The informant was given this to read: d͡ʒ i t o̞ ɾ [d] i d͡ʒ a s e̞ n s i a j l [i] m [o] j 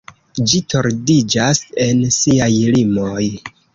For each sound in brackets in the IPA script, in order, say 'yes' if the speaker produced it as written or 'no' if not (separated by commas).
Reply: yes, yes, yes